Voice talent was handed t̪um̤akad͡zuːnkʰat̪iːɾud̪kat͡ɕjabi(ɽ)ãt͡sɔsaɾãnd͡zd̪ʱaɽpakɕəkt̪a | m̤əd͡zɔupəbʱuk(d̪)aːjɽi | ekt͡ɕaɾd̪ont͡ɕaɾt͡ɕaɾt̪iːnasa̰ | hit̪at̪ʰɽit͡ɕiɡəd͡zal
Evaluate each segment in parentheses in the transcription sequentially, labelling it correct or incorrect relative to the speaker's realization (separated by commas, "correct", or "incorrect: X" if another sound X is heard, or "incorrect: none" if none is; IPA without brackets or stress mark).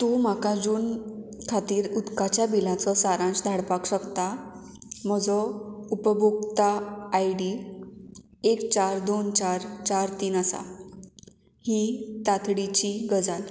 incorrect: l, incorrect: t̪